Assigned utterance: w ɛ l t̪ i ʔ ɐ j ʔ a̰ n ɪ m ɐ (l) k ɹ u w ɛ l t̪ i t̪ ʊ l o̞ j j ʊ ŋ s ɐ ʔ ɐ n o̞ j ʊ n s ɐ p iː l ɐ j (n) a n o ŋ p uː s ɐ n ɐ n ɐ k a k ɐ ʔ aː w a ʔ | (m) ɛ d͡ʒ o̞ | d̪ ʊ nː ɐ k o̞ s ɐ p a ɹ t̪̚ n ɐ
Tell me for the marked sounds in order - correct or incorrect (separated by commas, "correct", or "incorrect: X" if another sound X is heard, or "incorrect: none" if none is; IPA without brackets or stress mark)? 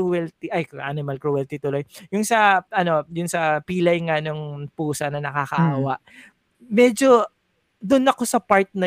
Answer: correct, incorrect: ŋ, correct